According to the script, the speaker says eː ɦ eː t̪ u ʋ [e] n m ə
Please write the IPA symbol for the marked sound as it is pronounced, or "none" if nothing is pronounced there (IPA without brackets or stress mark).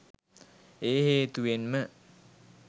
e